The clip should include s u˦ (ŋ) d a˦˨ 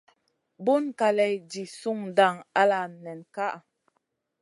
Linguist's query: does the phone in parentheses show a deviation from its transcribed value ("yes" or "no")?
no